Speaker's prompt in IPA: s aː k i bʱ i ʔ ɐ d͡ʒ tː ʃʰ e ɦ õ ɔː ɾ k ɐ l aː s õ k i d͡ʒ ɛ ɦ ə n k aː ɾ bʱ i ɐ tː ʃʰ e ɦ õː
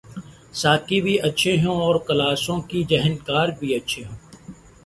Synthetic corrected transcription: s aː k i bʱ i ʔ ɐ tː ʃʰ e ɦ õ ɔː ɾ k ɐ l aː s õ k i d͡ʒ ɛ ɦ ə n k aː ɾ bʱ i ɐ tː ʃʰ e ɦ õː